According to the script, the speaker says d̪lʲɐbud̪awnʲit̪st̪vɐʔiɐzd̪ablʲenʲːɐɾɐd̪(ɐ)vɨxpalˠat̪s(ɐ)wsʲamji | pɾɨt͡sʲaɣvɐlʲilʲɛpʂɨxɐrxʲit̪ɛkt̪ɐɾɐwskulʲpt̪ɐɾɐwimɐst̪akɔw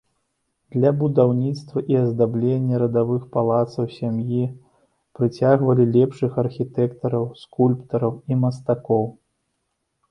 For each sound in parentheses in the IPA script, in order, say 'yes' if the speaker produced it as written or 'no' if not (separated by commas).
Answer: no, yes